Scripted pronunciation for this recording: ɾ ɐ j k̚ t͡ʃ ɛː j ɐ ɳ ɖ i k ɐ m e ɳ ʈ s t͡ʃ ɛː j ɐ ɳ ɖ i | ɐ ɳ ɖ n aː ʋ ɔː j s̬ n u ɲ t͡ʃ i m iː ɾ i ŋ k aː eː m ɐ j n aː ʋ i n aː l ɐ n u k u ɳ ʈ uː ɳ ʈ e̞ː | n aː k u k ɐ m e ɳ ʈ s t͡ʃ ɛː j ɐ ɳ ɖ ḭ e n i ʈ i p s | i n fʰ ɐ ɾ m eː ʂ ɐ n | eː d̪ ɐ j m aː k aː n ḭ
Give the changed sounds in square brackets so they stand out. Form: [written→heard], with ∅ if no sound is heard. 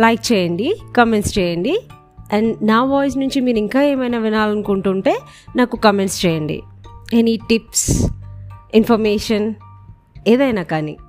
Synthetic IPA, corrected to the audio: [ɾ→l] ɐ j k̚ t͡ʃ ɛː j ɐ ɳ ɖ i k ɐ m e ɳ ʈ s t͡ʃ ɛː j ɐ ɳ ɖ i | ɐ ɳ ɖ n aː ʋ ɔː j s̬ n u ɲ t͡ʃ i m iː ɾ i ŋ k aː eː m ɐ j n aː ʋ i n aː l ɐ n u k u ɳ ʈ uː ɳ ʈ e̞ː | n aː k u k ɐ m e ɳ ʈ s t͡ʃ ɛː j ɐ ɳ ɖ ḭ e n i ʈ i p s | i n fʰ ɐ ɾ m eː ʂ ɐ n | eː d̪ ɐ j [m→n] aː k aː n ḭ